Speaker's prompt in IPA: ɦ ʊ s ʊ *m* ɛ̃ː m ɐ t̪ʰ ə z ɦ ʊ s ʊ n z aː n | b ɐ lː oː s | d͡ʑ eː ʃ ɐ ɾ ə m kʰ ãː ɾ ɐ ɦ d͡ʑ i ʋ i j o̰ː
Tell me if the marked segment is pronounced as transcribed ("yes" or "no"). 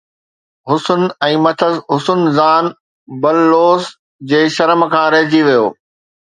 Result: no